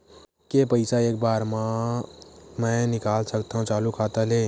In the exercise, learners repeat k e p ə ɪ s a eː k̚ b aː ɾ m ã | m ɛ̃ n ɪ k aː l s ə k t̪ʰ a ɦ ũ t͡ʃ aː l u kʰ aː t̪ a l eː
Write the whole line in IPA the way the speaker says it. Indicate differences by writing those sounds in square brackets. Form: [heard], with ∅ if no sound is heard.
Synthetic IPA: k e p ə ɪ s a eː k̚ b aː ɾ m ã | m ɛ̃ n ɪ k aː l s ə k [t̪] a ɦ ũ t͡ʃ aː l u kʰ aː t̪ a l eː